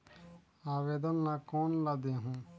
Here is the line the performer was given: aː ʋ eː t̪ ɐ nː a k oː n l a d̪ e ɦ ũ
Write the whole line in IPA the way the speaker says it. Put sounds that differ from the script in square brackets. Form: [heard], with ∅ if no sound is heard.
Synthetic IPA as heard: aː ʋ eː [d̪] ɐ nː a k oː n l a d̪ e ɦ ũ